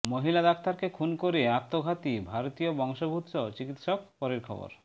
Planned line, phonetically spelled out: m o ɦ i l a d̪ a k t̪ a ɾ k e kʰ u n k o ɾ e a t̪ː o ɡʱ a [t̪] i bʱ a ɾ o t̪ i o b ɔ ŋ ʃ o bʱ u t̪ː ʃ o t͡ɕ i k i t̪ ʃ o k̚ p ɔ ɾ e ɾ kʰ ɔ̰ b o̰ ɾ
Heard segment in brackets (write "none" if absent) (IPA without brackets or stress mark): t̪